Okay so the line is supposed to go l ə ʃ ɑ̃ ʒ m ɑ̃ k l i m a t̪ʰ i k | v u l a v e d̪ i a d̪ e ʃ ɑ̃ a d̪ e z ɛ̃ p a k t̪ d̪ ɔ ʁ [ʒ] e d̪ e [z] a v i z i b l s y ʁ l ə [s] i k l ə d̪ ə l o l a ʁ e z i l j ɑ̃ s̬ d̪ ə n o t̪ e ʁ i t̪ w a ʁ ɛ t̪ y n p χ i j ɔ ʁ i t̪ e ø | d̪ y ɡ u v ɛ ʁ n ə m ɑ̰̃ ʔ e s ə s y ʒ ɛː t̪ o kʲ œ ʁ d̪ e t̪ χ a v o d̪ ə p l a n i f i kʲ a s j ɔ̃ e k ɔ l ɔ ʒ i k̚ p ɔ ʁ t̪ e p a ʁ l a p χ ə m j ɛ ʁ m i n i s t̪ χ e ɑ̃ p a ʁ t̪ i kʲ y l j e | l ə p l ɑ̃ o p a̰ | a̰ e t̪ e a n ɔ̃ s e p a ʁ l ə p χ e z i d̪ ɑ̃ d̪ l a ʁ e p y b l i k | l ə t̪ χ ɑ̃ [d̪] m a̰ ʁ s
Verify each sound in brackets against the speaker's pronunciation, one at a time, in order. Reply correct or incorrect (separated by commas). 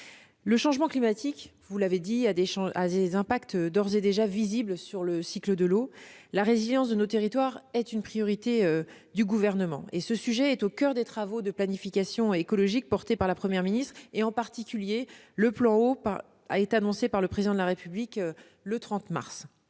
incorrect, incorrect, correct, incorrect